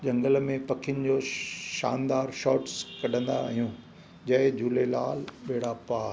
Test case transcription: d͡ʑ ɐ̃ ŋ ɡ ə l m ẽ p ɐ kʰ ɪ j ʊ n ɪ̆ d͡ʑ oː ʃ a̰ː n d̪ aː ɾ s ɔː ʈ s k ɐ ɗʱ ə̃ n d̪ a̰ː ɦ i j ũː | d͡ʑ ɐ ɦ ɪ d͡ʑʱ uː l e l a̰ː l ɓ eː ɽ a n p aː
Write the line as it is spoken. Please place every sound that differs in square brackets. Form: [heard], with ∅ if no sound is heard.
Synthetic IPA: d͡ʑ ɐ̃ ŋ ɡ ə l m ẽ p ɐ kʰ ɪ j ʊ n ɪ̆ d͡ʑ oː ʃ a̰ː n d̪ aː ɾ [ʃ] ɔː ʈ s k ɐ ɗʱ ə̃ n d̪ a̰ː ɦ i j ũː | d͡ʑ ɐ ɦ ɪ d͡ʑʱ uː l e l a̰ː l ɓ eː ɽ a [∅] p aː